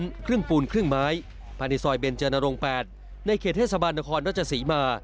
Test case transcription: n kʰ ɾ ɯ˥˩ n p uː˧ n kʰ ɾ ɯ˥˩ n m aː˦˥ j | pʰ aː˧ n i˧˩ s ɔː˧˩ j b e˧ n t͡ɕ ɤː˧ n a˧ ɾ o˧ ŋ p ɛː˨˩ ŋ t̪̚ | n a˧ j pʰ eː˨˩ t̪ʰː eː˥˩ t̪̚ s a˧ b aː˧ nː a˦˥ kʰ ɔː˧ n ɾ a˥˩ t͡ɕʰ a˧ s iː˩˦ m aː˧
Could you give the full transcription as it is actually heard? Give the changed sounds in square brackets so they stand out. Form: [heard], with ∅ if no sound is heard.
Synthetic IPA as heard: n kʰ ɾ ɯ˥˩ [ŋ] p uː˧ n kʰ ɾ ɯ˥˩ [ŋ] m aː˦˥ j | pʰ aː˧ n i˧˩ s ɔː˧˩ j b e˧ n t͡ɕ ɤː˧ n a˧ ɾ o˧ ŋ p ɛː˨˩ [∅] t̪̚ | n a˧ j [kʰ] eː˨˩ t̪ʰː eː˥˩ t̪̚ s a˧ b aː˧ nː a˦˥ kʰ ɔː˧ n ɾ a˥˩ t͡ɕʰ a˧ s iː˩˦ m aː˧